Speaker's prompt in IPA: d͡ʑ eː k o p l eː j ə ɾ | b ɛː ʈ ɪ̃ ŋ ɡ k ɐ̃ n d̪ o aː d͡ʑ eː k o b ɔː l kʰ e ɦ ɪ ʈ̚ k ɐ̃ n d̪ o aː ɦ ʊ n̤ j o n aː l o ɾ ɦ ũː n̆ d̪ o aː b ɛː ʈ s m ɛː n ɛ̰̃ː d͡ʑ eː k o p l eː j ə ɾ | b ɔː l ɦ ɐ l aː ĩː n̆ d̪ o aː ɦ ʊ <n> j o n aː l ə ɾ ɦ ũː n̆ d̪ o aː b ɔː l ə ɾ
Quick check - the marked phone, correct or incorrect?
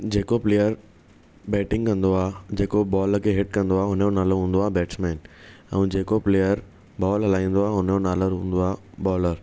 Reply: correct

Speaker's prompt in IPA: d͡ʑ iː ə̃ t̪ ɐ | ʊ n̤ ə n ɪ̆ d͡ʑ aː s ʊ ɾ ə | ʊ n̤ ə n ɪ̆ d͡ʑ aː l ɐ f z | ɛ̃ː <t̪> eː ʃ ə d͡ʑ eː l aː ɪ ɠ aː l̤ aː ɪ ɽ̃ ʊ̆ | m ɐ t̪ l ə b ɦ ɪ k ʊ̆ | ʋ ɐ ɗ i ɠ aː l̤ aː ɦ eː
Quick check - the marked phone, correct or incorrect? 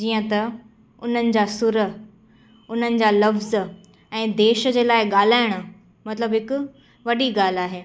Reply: incorrect: d̪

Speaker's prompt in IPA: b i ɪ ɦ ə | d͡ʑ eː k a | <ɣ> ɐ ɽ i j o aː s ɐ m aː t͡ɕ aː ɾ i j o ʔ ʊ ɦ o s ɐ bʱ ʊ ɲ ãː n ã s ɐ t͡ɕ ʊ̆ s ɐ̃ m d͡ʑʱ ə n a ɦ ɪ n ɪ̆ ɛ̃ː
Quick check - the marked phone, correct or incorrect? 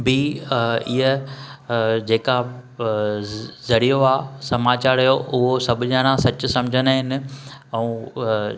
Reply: incorrect: z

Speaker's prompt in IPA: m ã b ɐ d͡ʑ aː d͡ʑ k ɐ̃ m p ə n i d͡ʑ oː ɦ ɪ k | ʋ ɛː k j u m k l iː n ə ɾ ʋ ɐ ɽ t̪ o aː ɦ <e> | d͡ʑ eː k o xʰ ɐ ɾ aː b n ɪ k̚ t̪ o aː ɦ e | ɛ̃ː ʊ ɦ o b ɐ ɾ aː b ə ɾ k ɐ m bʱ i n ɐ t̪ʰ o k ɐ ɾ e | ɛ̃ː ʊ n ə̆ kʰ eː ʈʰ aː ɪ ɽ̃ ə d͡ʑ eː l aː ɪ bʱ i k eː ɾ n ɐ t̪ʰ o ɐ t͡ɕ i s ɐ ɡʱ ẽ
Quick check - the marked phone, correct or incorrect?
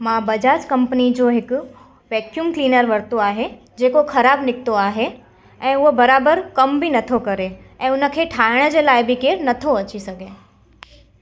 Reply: correct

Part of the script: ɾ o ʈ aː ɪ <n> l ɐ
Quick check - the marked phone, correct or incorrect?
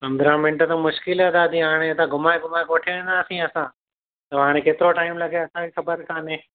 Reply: incorrect: m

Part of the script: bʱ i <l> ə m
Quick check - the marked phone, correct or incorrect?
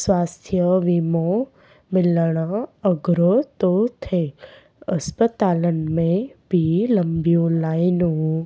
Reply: correct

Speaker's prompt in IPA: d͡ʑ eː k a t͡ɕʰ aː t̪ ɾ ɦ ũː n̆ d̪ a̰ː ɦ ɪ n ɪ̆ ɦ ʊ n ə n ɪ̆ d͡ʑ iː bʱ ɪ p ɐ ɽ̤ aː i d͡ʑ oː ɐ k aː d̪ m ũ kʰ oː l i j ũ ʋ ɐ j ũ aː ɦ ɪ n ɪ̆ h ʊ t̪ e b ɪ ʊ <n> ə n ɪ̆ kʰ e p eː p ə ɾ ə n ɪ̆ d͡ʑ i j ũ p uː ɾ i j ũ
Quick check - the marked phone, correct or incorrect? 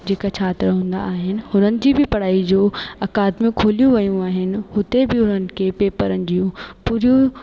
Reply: correct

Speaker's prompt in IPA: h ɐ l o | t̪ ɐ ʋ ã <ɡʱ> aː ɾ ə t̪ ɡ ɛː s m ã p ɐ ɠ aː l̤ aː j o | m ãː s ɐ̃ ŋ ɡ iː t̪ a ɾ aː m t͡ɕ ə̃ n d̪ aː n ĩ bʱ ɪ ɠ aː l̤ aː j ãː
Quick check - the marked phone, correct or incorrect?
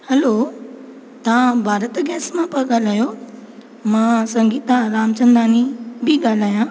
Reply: incorrect: bʱ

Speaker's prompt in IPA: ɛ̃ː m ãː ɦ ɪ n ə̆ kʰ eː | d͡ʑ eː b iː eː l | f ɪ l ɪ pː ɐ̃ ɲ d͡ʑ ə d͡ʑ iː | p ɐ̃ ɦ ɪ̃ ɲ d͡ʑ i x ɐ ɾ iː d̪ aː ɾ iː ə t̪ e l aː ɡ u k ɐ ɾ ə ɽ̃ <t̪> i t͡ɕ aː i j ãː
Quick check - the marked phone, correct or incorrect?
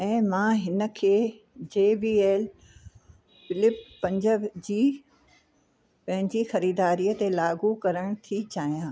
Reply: incorrect: t̪ʰ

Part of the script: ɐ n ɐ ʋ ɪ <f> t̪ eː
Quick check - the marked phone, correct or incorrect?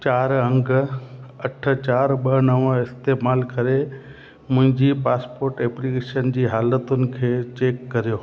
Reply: incorrect: s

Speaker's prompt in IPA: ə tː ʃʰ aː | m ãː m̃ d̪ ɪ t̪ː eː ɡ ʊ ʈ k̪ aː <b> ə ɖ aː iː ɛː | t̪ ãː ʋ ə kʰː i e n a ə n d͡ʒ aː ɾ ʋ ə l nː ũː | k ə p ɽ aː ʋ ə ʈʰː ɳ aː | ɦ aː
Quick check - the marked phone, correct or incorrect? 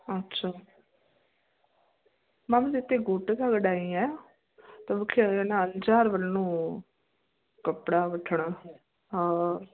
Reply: incorrect: ɡ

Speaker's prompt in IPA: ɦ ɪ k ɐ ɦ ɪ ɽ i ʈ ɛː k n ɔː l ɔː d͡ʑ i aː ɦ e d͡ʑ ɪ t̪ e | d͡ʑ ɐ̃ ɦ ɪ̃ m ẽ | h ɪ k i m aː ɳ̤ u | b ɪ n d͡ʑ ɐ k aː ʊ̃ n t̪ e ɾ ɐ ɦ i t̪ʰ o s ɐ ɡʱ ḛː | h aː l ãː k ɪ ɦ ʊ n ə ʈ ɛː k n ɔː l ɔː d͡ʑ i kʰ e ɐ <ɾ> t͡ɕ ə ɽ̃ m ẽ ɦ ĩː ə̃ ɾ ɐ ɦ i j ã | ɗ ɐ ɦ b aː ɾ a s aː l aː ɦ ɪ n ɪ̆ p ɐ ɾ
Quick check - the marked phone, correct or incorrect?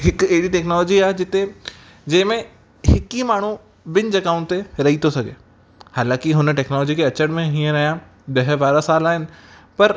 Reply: incorrect: none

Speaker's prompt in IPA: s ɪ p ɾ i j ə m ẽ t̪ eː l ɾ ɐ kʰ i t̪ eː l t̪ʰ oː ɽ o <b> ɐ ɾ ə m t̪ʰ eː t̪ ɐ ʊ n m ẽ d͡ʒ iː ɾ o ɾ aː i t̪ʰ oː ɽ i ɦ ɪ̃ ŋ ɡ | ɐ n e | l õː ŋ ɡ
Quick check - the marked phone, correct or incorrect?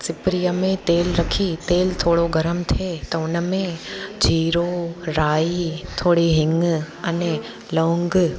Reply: incorrect: ɡ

